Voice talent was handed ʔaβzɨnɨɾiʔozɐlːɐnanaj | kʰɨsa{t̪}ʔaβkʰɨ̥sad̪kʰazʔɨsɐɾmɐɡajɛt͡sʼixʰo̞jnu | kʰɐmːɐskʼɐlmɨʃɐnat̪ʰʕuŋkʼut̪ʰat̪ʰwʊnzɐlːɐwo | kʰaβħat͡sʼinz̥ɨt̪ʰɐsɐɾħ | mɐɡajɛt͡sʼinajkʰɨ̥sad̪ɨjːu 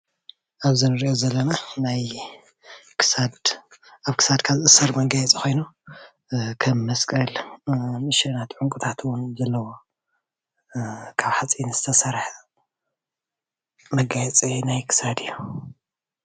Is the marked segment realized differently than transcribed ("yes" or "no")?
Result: yes